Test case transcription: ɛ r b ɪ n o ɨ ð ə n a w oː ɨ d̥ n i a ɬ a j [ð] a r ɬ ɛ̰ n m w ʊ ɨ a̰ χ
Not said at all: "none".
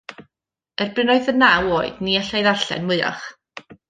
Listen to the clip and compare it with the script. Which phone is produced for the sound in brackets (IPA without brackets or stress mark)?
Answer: ð